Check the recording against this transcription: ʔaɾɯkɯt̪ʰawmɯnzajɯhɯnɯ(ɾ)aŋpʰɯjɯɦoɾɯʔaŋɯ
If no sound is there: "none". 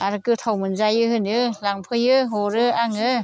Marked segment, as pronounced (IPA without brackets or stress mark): l